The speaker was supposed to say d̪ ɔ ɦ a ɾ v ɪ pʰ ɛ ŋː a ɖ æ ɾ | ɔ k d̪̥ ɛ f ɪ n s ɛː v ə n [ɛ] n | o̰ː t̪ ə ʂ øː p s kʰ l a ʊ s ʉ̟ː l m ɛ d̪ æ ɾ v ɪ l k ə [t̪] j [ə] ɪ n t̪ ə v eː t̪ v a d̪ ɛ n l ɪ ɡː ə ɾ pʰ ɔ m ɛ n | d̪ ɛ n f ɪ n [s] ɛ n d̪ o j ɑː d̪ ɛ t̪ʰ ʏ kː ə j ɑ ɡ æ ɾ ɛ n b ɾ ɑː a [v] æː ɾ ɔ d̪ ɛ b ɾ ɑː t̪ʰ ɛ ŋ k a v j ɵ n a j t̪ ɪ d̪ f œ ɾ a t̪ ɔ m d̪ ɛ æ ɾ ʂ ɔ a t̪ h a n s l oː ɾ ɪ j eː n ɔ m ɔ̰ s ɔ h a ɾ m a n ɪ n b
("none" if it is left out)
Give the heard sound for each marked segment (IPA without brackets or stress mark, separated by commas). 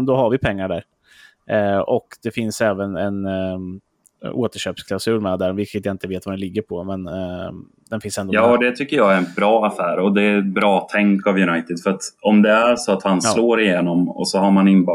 ɛ, t̪, a, s, f